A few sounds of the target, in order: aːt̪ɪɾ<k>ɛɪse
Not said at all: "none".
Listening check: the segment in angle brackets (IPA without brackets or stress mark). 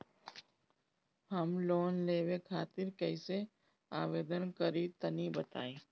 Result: k